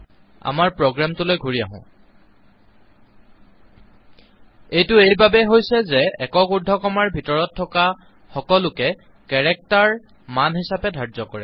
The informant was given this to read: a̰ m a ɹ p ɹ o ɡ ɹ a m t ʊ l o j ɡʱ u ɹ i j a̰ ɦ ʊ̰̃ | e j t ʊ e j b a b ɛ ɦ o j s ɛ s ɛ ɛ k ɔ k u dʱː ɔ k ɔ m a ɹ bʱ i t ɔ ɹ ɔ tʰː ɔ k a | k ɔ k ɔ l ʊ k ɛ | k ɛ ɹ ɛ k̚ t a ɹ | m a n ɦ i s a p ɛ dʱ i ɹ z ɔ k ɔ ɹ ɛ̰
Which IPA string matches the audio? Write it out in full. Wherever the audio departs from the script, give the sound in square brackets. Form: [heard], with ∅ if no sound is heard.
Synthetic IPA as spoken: a̰ m a ɹ p ɹ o ɡ ɹ a m t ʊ l o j ɡʱ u ɹ i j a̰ ɦ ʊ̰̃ | e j t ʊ e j b a b ɛ ɦ o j s ɛ [z] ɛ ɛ k ɔ k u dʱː ɔ k ɔ m a ɹ bʱ i t ɔ ɹ ɔ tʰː ɔ k a | [x] ɔ k ɔ l ʊ k ɛ | k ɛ ɹ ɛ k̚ t a ɹ | m a n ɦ i s a p ɛ dʱ [a] ɹ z ɔ k ɔ ɹ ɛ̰